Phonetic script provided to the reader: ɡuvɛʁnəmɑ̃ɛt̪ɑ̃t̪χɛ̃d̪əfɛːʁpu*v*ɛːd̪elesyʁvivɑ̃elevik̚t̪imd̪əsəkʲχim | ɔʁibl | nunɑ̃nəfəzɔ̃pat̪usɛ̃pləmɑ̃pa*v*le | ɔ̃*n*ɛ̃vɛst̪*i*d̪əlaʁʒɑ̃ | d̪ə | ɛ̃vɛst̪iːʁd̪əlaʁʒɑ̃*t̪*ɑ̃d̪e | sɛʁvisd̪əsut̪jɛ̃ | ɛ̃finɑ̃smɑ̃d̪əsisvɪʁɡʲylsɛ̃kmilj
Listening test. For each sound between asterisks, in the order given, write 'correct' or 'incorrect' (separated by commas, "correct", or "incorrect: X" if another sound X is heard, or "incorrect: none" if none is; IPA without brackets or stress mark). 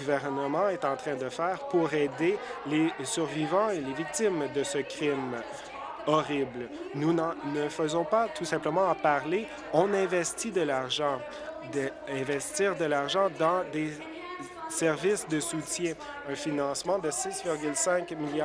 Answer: incorrect: ʁ, incorrect: ʁ, correct, correct, incorrect: d̪